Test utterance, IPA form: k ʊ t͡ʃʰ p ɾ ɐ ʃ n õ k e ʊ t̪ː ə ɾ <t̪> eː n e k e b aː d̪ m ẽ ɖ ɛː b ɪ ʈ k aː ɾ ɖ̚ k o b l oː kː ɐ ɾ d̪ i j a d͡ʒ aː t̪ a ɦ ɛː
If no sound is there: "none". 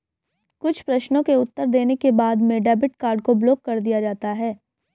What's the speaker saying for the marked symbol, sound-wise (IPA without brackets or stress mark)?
d̪